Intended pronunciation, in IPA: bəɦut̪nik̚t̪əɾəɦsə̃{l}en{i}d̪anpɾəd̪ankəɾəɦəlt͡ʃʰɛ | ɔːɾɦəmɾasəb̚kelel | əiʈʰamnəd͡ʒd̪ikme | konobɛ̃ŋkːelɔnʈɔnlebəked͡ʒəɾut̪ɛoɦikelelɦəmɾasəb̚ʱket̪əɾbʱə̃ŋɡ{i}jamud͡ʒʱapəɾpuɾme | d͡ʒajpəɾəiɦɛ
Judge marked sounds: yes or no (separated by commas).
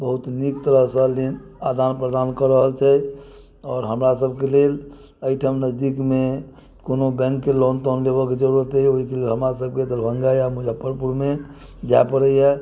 yes, no, no